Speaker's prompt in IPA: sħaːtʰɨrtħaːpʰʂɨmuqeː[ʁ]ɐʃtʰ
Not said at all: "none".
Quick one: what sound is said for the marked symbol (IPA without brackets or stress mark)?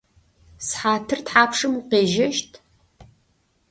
ʒ